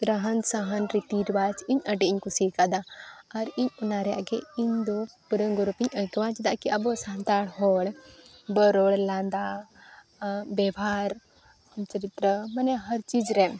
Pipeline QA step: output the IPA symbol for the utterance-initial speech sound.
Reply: ɾ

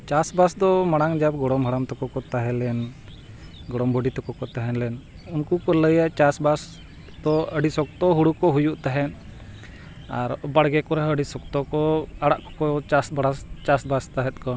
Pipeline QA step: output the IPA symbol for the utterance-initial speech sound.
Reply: t͡ʃ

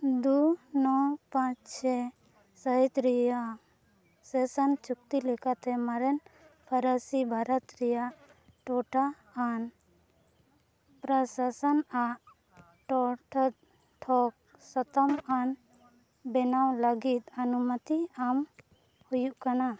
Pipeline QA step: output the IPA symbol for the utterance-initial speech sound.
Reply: d̪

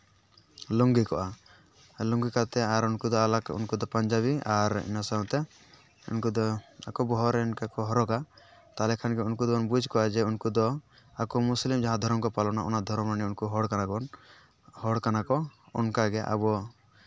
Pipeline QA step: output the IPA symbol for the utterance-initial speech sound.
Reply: l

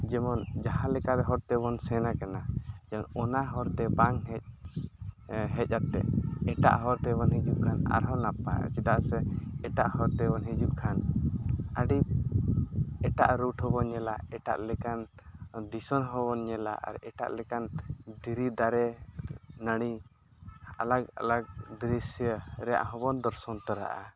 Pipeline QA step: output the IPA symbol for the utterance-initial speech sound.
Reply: d͡ʒ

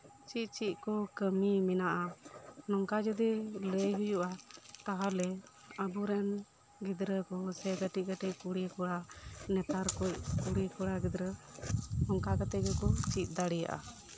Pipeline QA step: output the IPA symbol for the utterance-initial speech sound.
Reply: t͡ʃ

